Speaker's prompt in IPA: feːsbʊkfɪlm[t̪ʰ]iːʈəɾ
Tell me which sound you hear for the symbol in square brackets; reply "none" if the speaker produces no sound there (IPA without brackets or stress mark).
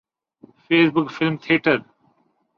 t̪ʰ